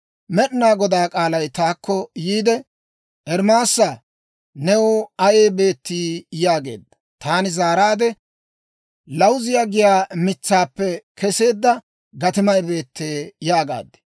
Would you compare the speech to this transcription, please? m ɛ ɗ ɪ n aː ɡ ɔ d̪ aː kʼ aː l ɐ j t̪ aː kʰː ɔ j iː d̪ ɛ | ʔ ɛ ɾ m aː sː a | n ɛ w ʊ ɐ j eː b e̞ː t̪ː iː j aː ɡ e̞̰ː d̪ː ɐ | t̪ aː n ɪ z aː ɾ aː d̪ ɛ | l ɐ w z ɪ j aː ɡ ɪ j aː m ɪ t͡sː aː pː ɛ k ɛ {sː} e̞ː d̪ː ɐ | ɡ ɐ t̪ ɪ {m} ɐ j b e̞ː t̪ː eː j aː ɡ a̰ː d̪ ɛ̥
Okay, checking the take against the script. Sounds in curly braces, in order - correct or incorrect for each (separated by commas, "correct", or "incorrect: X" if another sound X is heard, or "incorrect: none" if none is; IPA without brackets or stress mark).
incorrect: s, correct